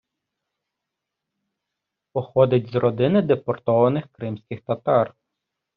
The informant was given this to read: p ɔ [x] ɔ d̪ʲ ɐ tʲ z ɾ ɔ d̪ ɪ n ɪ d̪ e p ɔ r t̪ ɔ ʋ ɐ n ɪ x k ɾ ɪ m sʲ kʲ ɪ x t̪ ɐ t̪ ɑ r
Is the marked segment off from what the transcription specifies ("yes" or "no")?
no